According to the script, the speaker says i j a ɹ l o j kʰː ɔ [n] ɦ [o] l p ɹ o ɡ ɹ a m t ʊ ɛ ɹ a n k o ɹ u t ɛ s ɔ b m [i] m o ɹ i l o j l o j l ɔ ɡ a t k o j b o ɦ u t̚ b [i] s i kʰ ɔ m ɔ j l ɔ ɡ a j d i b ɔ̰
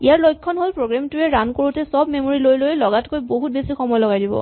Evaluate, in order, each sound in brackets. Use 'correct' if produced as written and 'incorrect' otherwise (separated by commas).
correct, correct, incorrect, incorrect